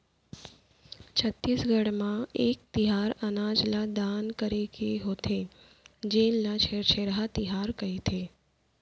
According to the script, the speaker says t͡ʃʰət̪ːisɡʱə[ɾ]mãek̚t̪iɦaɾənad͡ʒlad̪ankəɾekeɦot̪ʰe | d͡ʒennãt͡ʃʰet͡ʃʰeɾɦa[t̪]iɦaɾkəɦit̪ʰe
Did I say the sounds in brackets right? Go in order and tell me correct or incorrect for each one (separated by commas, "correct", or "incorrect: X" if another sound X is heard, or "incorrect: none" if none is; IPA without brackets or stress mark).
incorrect: ɽ, correct